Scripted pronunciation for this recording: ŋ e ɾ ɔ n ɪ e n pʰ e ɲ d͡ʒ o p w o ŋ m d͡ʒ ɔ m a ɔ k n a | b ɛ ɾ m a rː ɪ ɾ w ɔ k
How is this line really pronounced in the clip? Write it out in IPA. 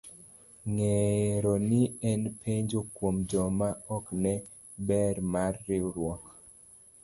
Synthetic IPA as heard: ŋ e ɾ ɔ n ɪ ɛ n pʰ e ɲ d͡ʒ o k w o m d͡ʒ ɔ m a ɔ k n ɛ | b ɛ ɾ m a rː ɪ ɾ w ɔ k